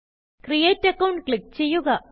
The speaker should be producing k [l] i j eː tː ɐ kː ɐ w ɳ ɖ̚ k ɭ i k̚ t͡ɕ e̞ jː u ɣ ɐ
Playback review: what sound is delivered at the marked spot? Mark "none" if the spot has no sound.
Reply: r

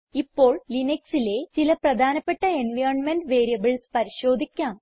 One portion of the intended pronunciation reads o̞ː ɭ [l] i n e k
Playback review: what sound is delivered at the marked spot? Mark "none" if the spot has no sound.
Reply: l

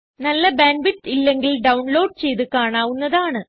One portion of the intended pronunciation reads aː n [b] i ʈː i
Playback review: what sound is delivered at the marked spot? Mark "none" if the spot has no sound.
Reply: b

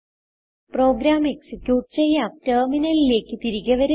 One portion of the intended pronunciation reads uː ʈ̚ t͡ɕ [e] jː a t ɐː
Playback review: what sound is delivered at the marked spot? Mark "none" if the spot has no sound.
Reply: e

